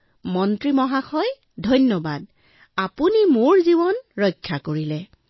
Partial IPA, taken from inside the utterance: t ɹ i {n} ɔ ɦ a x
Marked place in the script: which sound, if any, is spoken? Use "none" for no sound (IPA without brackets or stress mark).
m